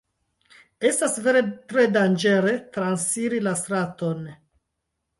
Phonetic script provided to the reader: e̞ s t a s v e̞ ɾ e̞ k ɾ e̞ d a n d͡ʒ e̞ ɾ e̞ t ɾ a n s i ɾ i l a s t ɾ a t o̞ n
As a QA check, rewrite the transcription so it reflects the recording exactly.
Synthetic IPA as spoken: e̞ s t a s v e̞ ɾ e̞ t ɾ e̞ d a n d͡ʒ e̞ ɾ e̞ t ɾ a n s i ɾ i l a s t ɾ a t o̞ n